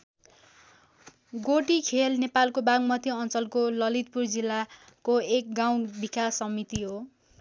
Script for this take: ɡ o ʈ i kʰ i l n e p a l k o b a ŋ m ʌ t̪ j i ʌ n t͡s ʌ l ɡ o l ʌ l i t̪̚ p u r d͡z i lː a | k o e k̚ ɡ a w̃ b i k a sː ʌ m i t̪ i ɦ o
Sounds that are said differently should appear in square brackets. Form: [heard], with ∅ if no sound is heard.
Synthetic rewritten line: ɡ o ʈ i kʰ [e] l n e p a l k o b a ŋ m ʌ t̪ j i ʌ n t͡s ʌ l [k] o l ʌ l i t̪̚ p u r d͡z i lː a | k o e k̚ ɡ a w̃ b i k a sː ʌ m i t̪ i ɦ o